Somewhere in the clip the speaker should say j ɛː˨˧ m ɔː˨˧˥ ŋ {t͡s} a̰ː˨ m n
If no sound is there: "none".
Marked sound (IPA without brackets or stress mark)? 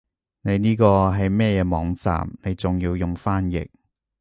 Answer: t͡s